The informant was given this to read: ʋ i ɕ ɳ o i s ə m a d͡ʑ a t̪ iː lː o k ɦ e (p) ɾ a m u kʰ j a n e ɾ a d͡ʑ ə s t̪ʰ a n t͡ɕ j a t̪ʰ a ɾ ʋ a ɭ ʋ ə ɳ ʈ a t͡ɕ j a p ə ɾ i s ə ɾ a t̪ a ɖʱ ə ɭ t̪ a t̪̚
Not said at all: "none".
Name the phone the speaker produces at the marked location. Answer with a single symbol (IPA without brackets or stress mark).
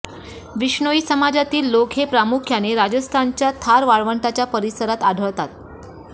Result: p